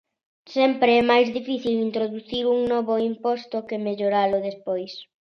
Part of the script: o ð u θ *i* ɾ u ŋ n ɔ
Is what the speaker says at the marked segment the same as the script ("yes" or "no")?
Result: yes